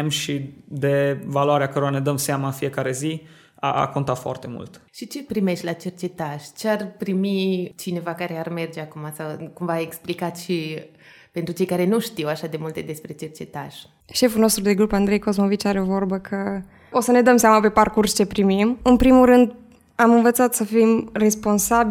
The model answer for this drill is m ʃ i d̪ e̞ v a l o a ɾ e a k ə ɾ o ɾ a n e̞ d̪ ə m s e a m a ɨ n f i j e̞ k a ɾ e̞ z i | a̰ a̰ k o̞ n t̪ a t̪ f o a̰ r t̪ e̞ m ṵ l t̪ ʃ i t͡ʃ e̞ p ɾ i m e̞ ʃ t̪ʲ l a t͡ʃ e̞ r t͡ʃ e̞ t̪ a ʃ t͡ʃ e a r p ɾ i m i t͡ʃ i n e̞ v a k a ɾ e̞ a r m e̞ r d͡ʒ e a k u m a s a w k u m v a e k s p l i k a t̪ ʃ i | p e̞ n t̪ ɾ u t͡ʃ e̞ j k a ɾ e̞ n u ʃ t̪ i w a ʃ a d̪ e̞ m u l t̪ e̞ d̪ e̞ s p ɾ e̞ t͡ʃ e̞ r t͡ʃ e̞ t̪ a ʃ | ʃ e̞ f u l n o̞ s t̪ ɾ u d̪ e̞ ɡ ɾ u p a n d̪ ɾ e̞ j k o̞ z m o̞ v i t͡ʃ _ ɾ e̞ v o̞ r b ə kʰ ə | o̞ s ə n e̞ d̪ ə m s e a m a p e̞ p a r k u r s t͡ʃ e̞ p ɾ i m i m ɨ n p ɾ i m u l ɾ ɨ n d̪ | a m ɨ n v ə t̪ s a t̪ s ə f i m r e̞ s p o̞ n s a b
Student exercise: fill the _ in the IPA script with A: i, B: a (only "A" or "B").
B